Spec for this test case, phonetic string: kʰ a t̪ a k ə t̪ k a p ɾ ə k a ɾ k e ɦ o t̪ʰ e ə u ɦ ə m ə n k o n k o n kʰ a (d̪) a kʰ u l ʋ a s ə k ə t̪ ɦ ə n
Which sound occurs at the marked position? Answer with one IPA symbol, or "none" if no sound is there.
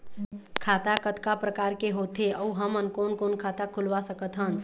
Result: t̪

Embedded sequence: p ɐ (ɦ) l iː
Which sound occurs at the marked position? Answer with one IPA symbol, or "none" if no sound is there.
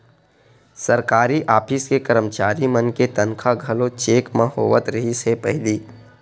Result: ɦ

